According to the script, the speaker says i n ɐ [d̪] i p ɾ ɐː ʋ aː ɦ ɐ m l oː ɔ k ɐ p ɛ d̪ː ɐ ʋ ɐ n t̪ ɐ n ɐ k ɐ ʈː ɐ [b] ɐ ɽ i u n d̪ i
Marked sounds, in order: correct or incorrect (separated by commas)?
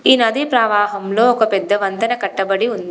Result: correct, correct